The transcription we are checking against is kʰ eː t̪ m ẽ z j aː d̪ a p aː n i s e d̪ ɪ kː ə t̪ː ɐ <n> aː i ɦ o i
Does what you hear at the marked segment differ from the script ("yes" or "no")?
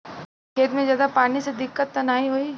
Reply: no